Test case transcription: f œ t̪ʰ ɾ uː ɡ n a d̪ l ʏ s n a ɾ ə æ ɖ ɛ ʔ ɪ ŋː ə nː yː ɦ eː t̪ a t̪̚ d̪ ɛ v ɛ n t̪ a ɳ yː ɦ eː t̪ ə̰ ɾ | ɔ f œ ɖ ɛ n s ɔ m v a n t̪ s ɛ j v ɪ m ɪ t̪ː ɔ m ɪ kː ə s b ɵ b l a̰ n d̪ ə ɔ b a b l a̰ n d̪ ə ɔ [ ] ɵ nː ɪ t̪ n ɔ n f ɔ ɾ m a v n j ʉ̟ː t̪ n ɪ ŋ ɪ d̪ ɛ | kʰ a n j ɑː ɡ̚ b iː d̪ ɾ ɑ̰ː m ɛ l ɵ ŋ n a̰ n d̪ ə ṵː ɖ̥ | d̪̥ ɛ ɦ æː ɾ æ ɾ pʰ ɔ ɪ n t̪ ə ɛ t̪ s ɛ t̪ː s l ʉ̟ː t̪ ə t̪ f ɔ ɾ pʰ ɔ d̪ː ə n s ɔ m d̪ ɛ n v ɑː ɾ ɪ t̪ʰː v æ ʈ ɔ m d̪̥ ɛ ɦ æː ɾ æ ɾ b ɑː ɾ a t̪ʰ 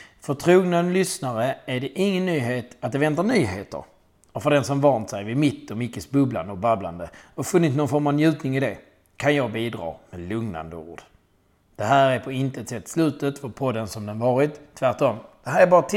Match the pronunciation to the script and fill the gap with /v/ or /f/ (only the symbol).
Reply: f